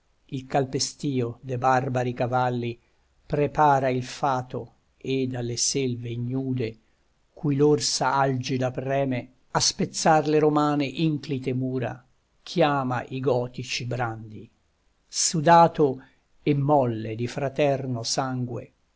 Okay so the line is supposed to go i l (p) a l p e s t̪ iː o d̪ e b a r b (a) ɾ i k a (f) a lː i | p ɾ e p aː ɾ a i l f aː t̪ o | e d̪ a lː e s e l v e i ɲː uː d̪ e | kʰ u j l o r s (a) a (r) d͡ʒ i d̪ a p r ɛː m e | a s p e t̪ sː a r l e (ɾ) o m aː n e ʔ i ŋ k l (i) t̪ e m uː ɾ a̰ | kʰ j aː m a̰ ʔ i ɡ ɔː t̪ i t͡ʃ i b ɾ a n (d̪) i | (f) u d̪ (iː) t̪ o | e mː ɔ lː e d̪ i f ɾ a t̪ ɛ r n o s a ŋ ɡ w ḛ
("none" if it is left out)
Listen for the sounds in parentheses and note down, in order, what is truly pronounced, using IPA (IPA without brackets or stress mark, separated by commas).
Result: k, a, v, a, l, ɾ, i, d̪, s, aː